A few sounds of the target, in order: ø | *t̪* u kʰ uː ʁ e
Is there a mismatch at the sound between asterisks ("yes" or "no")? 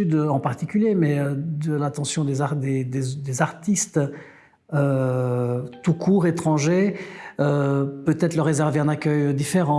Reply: no